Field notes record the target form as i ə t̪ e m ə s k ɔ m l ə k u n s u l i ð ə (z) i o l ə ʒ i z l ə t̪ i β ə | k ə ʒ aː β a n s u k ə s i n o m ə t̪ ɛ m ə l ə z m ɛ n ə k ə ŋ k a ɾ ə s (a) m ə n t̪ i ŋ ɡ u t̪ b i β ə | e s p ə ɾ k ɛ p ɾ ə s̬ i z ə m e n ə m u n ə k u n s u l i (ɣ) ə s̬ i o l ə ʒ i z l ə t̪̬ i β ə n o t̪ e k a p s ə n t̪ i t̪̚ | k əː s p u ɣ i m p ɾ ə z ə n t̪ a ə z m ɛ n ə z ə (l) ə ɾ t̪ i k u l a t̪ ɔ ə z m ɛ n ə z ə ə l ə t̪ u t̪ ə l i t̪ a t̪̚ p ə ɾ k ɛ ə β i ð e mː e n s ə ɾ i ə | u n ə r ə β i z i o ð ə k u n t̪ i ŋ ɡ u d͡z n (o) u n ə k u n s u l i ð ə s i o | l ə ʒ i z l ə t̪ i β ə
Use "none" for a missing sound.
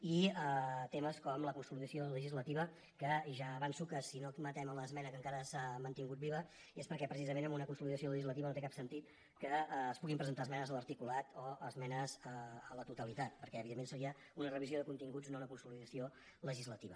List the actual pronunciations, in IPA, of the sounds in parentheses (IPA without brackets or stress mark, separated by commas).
s, a, ð, l, o